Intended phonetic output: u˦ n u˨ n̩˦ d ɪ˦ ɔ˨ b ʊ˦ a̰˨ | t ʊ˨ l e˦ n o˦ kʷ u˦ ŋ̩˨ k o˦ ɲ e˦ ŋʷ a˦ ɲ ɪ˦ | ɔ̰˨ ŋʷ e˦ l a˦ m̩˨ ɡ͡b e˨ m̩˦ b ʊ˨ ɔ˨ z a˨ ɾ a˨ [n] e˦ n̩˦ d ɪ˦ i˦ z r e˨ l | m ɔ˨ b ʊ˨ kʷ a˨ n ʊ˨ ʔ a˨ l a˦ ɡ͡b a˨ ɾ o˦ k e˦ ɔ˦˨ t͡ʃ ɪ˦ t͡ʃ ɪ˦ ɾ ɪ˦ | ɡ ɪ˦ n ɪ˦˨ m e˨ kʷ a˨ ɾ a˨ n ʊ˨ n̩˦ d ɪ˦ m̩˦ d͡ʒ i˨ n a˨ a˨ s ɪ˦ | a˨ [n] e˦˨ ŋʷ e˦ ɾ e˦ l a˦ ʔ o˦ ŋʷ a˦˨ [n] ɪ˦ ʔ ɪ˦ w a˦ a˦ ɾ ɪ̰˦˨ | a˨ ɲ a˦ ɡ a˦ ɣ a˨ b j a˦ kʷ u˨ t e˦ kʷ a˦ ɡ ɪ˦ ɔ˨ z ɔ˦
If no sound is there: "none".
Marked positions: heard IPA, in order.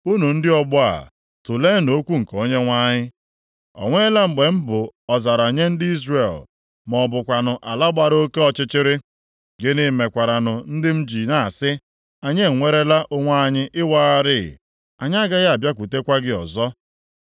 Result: ɲ, ɲ, ɲ

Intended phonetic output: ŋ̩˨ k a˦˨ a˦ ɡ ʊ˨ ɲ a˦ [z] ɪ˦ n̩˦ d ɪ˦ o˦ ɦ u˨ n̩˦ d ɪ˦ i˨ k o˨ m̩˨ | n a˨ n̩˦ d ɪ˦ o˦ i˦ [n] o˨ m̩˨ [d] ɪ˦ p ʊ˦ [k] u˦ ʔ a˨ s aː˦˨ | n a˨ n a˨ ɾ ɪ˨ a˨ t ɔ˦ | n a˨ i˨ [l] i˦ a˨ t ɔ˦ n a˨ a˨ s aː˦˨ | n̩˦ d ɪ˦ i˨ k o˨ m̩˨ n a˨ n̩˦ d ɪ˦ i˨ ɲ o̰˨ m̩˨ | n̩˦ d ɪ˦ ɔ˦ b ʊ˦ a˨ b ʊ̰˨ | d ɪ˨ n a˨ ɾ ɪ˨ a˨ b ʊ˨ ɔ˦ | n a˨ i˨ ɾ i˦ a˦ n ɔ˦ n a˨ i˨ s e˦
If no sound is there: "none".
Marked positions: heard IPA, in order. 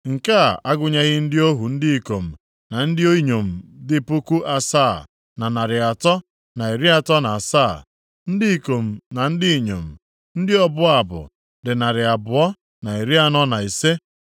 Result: ɣ, ɲ, d, k, ɾ

